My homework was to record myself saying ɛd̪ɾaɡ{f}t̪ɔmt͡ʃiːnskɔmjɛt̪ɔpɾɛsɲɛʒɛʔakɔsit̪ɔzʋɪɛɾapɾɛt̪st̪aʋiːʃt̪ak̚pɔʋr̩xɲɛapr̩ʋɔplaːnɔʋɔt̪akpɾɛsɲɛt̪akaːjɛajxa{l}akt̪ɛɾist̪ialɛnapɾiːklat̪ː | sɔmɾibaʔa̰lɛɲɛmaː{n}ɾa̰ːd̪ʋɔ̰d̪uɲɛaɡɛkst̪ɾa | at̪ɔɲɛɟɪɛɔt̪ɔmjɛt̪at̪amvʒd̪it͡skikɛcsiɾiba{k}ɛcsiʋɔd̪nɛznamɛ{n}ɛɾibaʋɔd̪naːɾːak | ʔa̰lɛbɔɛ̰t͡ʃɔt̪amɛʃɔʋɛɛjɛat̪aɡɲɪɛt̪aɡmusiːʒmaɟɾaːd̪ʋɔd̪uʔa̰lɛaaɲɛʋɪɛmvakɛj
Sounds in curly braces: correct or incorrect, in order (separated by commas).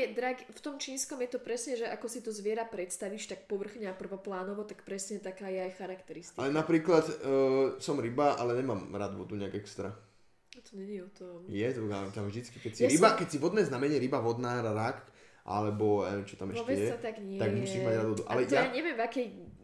correct, incorrect, incorrect, correct, incorrect